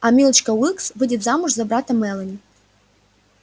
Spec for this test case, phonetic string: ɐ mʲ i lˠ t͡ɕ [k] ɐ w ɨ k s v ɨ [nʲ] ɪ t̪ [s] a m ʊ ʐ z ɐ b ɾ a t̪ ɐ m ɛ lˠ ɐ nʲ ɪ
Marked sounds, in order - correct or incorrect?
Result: correct, incorrect: dʲ, incorrect: z

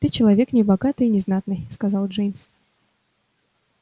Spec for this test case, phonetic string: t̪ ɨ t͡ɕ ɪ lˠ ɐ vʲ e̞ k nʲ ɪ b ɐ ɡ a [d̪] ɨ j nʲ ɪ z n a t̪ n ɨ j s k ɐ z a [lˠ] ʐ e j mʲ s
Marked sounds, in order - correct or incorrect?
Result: incorrect: t̪, correct

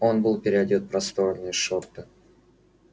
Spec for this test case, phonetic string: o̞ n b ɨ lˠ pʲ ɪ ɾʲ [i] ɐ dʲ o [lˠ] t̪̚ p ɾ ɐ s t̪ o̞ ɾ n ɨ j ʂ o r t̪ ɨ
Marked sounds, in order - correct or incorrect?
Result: incorrect: ɪ, incorrect: none

